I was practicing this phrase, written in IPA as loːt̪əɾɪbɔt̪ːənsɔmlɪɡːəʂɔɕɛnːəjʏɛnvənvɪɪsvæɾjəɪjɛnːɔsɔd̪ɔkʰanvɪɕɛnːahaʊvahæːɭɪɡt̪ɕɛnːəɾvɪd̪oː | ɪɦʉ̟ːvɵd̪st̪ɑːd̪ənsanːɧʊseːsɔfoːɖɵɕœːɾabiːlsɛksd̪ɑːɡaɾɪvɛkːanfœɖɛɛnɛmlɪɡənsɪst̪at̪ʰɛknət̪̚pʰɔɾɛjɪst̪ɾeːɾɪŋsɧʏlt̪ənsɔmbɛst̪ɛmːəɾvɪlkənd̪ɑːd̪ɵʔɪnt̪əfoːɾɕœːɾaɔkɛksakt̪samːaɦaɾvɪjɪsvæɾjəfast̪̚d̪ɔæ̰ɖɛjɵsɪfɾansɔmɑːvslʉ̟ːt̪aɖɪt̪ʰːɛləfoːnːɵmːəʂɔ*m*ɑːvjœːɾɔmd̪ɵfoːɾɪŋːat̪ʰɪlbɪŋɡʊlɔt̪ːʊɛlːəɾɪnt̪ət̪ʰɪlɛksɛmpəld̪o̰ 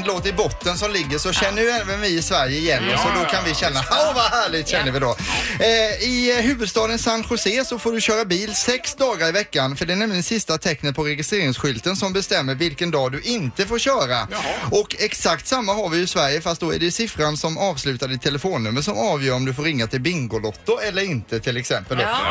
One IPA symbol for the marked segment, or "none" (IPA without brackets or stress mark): m